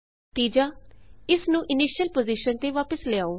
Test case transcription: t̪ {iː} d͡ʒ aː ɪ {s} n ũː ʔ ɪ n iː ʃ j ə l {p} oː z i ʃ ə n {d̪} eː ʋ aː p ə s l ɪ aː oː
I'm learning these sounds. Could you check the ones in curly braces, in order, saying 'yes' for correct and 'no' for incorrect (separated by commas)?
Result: yes, yes, yes, no